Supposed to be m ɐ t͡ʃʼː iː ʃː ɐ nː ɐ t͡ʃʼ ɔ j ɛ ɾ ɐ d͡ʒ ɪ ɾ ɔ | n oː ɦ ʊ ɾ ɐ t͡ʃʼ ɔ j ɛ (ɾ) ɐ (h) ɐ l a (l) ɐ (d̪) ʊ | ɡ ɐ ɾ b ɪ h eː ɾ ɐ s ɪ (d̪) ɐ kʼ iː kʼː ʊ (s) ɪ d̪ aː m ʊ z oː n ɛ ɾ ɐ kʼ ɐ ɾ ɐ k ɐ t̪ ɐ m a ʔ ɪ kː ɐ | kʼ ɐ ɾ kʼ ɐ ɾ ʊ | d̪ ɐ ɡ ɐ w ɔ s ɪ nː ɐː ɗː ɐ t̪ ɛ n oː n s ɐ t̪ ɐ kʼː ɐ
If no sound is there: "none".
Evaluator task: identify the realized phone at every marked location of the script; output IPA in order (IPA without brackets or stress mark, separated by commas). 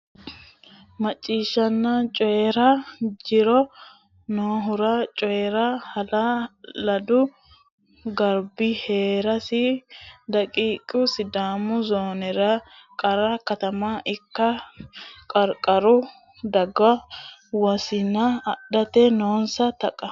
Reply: ɾ, h, l, d̪, d̪, s